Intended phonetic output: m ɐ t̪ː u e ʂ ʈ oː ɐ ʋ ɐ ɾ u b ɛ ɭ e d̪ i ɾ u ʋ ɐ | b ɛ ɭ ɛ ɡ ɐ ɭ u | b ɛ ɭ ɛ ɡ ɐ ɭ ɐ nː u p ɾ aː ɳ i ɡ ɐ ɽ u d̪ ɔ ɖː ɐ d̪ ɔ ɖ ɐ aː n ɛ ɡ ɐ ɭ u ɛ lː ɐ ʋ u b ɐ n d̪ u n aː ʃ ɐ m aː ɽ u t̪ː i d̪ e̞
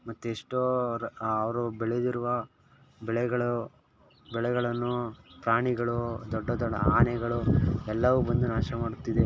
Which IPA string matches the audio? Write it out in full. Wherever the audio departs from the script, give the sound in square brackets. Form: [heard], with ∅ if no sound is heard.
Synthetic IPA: m ɐ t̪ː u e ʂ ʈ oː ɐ ʋ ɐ ɾ u b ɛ ɭ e d̪ i ɾ u ʋ ɐ | b ɛ ɭ ɛ ɡ ɐ ɭ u | b ɛ ɭ ɛ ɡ ɐ ɭ ɐ nː u p ɾ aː ɳ i ɡ ɐ [ɭ] u d̪ ɔ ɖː ɐ d̪ ɔ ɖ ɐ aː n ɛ ɡ ɐ ɭ u ɛ lː ɐ ʋ u b ɐ n d̪ u n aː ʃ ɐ m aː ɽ u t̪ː i d̪ e̞